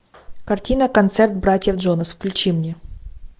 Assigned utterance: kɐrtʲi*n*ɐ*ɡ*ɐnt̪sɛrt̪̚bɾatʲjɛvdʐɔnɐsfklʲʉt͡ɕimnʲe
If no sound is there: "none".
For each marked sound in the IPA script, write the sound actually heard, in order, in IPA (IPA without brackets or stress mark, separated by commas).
n, k